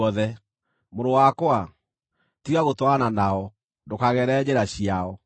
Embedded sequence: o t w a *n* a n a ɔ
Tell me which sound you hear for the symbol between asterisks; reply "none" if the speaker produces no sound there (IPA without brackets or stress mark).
n